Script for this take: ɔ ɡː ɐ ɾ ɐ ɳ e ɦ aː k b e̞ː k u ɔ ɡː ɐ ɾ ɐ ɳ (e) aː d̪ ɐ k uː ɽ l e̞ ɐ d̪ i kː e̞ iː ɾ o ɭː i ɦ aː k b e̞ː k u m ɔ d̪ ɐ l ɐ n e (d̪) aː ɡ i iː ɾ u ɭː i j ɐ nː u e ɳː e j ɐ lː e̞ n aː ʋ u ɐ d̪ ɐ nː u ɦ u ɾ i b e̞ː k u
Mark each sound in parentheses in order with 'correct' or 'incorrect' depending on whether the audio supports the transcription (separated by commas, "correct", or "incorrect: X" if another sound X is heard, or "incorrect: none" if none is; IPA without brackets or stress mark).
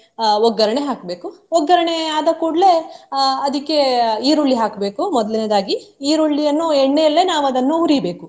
correct, correct